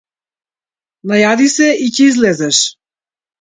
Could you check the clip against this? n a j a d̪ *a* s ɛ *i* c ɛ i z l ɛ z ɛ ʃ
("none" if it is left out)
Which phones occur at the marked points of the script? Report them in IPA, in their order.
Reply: i, i

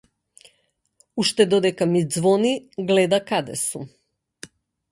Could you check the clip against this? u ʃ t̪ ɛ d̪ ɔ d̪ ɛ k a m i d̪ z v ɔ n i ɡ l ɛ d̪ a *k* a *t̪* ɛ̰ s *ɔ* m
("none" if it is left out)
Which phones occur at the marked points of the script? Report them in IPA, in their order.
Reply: k, d̪, u

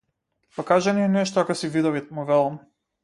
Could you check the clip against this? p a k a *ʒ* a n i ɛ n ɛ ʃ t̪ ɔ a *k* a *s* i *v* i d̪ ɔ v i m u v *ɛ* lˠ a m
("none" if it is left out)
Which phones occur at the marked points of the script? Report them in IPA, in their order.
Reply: ʒ, k, s, v, ɛ

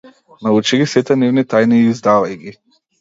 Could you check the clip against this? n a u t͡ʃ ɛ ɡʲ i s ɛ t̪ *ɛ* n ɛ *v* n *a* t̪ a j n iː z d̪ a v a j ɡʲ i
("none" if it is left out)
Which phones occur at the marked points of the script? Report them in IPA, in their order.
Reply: ɛ, v, i

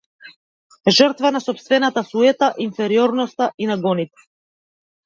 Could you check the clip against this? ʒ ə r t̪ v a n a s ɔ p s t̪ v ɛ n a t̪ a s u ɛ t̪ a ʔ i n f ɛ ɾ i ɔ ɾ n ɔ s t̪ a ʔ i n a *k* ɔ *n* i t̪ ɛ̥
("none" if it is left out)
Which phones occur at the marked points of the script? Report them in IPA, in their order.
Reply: ɡ, n

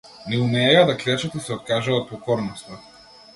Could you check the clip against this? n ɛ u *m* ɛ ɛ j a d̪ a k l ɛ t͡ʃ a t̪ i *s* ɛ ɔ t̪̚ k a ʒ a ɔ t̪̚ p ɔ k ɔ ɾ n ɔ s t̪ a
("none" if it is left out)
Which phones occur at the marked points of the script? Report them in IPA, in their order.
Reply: m, s

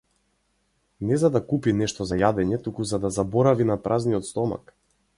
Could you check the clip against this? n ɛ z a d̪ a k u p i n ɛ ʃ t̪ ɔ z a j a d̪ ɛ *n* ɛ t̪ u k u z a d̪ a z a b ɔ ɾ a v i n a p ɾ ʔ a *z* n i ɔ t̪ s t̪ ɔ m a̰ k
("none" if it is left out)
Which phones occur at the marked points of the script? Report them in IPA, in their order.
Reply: ɲ, z

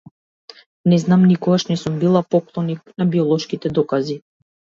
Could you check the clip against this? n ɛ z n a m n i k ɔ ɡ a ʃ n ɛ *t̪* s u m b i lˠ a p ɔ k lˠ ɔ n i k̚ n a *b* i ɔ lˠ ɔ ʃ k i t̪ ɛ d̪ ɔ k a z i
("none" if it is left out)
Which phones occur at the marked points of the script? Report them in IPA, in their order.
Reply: none, b

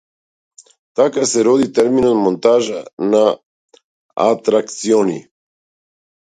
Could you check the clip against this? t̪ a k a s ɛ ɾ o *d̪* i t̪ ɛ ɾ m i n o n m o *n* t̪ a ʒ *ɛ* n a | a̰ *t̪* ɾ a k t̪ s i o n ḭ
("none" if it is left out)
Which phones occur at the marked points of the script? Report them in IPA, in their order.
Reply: d̪, n, a, t̪

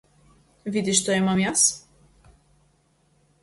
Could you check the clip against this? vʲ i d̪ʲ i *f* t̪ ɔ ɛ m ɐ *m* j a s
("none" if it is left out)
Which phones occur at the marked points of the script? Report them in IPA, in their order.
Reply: ʃ, m

